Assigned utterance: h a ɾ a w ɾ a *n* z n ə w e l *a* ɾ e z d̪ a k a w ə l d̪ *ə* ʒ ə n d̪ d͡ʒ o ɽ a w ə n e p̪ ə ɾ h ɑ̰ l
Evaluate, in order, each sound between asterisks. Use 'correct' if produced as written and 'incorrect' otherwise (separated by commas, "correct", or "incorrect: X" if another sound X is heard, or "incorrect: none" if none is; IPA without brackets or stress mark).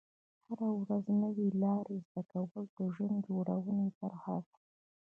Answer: incorrect: none, incorrect: ɑ, correct